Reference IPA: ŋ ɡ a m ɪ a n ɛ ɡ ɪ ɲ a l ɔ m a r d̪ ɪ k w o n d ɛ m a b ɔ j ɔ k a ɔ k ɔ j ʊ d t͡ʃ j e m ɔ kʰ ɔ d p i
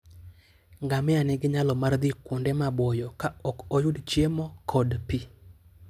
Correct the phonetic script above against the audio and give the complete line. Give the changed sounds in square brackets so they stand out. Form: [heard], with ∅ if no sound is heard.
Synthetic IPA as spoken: ŋ ɡ a m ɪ a n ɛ ɡ ɪ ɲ a l ɔ m a r d̪ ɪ k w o n d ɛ m a b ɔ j ɔ k a ɔ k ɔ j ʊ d t͡ʃ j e m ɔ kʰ ɔ d p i